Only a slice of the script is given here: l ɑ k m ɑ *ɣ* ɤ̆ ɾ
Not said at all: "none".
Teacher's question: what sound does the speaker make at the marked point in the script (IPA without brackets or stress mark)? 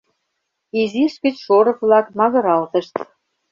ɣ